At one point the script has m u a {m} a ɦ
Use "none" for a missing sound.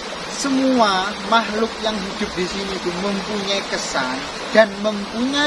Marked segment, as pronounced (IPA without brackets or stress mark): m